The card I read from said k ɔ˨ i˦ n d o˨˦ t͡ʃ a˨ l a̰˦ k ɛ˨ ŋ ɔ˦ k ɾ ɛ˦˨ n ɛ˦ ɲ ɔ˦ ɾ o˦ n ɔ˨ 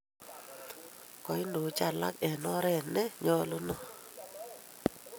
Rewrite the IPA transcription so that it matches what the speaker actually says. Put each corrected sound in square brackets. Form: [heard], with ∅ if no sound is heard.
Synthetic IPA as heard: k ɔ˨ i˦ n d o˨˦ t͡ʃ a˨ l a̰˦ k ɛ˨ [n] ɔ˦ [∅] ɾ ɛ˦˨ n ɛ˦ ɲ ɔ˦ [l] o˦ n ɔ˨